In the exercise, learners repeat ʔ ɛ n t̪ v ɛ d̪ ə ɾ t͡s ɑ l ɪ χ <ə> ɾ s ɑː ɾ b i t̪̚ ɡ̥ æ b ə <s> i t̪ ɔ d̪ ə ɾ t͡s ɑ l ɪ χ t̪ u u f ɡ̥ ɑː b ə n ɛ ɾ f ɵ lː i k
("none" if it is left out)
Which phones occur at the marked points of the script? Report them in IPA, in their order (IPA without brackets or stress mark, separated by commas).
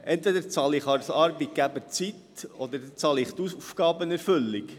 ɑ, t͡s